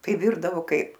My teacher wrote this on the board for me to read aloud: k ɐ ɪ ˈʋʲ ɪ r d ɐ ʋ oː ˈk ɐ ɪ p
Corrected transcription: t ɐ ɪ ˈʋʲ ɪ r d ɐ ʋ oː ˈk ɐ ɪ p